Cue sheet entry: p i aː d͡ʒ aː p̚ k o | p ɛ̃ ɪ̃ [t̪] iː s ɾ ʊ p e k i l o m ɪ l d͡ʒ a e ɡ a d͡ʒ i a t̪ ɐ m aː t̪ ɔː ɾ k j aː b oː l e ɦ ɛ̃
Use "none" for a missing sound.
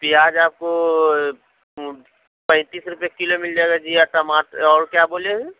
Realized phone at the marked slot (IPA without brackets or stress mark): t̪